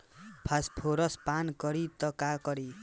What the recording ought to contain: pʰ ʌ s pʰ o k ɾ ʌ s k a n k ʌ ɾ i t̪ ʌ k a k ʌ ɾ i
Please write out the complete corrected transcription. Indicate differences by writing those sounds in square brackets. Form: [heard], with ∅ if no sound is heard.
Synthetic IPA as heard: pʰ [a] s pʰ o [∅] ɾ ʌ s [p] a n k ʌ ɾ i t̪ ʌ k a k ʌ ɾ i